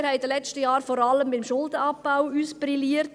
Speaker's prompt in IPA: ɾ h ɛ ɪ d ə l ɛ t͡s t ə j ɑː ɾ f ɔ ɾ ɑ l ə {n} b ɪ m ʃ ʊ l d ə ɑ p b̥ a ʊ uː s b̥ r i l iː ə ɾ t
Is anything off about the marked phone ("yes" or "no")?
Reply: yes